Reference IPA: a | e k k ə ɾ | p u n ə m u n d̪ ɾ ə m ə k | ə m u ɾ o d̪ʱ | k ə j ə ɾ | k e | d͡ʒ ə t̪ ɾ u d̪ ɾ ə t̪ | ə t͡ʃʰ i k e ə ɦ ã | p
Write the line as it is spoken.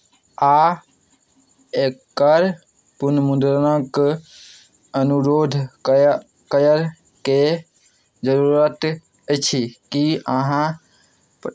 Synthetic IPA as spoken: a | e k k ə ɾ | p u n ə m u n d̪ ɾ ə n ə k | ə n u ɾ o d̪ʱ | k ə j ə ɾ | k e | d͡ʒ ə ɾ u ɾ ə t̪ | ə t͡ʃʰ i k i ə ɦ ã | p